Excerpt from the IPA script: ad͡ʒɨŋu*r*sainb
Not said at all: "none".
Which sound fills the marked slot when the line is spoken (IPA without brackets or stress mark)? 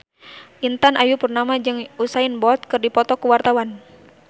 none